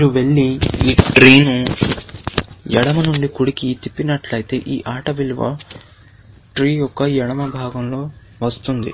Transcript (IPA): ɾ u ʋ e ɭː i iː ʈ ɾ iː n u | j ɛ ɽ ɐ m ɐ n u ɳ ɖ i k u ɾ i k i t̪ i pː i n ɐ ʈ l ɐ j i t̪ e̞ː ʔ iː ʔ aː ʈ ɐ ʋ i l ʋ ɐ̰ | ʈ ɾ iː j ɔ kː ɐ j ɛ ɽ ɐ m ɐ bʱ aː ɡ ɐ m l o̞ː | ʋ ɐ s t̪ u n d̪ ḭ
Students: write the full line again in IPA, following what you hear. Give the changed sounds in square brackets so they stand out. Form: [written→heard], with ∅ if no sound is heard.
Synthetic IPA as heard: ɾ u ʋ e ɭː i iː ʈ ɾ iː n u | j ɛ ɽ ɐ m ɐ n u ɳ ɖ i k u [ɾ→ɽ] i k i t̪ i pː i n ɐ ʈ l ɐ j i t̪ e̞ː ʔ iː ʔ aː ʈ ɐ ʋ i l ʋ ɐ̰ | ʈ ɾ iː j ɔ kː ɐ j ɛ ɽ ɐ m ɐ bʱ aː ɡ ɐ m l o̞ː | ʋ ɐ s t̪ u n d̪ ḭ